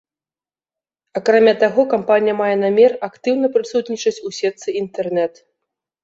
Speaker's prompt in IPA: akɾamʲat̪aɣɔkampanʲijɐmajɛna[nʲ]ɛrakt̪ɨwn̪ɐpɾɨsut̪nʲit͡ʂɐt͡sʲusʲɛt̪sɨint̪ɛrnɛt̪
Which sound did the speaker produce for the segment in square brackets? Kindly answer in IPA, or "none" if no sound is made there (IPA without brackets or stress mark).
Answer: mʲ